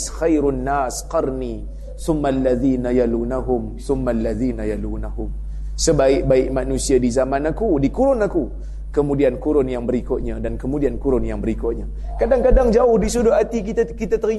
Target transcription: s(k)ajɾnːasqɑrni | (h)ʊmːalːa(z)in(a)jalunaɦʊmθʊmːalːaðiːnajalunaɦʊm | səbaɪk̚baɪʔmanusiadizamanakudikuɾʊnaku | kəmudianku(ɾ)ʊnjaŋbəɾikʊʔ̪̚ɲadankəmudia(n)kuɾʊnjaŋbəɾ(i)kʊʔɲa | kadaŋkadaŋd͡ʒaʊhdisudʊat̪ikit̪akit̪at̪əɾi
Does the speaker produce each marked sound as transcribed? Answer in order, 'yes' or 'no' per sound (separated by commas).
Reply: no, no, no, yes, yes, yes, yes